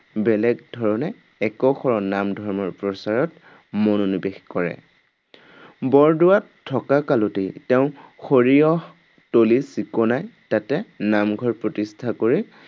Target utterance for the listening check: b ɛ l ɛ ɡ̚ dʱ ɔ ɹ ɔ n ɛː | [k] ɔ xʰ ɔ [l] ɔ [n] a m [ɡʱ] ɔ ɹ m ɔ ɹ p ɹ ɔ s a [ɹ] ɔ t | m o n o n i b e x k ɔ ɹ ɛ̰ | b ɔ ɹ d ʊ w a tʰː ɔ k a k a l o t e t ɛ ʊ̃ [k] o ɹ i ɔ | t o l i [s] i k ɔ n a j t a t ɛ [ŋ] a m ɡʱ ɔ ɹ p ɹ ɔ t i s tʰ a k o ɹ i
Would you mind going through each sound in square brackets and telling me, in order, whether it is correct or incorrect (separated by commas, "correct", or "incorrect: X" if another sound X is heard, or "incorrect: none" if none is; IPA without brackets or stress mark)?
correct, incorrect: ɹ, correct, incorrect: dʱ, correct, incorrect: x, correct, incorrect: n